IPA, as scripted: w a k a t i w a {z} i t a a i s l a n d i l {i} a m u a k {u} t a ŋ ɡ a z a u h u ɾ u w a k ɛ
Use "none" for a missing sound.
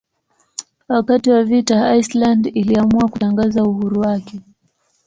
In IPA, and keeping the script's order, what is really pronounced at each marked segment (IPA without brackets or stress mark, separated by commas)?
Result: v, i, u